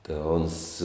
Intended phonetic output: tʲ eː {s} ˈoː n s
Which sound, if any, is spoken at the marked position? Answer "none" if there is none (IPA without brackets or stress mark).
none